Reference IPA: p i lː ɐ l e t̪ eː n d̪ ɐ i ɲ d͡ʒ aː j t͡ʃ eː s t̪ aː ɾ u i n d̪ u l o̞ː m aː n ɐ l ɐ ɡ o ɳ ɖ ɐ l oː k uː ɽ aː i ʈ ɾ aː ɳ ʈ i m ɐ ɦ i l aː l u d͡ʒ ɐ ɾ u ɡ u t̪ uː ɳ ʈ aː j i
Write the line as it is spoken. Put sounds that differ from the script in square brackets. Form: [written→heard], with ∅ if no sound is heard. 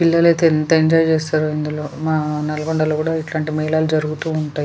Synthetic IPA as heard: p i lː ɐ l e t̪ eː n [d̪→t̪] ɐ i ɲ d͡ʒ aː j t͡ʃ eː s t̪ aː ɾ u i n d̪ u l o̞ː m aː n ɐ l ɐ ɡ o ɳ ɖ ɐ l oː k uː ɽ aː i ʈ [ɾ→l] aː ɳ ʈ i m ɐ ɦ i l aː l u d͡ʒ ɐ ɾ u ɡ u t̪ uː ɳ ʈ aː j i